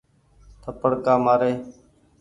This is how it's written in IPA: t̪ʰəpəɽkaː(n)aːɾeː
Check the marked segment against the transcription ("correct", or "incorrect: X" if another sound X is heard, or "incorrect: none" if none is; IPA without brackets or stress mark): incorrect: m